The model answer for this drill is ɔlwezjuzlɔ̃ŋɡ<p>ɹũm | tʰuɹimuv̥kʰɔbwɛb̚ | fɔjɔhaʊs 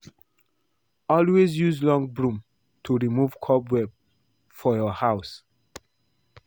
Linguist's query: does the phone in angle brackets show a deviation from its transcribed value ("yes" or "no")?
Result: yes